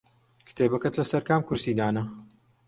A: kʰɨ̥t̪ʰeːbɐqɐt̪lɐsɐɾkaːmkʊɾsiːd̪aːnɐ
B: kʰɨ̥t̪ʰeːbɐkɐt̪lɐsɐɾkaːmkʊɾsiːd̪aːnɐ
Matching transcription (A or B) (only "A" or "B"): B